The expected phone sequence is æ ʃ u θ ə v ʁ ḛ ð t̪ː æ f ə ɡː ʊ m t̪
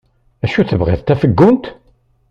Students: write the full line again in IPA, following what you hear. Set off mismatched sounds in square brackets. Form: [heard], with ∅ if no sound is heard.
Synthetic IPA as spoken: æ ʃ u θ ə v ʁ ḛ ð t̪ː æ f ə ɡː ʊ [n] t̪